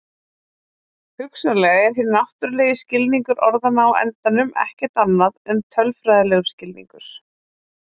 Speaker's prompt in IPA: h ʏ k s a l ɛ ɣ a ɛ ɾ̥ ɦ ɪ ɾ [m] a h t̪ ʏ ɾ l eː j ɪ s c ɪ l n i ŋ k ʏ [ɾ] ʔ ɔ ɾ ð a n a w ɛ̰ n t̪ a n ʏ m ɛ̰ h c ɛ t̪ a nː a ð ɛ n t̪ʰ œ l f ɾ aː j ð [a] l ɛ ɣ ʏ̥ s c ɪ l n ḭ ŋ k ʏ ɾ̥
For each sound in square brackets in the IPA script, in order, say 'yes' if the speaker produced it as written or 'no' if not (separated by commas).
no, yes, yes